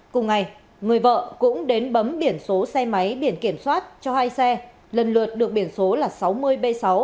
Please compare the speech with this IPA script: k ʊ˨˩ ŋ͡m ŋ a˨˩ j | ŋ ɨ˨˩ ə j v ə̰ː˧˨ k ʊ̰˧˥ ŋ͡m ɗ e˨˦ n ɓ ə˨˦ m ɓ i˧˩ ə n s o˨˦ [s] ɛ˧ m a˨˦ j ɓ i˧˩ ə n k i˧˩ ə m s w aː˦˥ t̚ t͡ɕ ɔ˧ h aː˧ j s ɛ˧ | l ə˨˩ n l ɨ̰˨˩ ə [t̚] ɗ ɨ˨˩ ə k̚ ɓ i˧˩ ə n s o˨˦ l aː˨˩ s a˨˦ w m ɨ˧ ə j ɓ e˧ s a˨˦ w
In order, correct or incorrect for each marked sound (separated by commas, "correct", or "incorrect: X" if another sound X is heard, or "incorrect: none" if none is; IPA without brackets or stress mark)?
correct, correct